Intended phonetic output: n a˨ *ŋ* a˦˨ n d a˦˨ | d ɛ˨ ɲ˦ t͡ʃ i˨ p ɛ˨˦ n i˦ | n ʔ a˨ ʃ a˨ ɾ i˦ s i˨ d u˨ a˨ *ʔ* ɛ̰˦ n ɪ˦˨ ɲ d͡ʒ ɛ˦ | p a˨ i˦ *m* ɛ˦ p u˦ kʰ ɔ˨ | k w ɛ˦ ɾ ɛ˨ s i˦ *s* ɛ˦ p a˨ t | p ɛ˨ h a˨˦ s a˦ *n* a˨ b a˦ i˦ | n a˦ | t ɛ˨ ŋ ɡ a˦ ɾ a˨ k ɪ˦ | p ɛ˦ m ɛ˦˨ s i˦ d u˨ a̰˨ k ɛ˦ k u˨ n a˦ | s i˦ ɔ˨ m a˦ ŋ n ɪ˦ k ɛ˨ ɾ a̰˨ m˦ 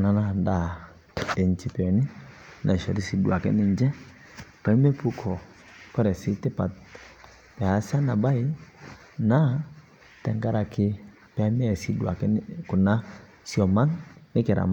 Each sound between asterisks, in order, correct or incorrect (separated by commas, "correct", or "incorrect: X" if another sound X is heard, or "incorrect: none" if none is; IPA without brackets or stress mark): incorrect: n, incorrect: k, correct, incorrect: t, correct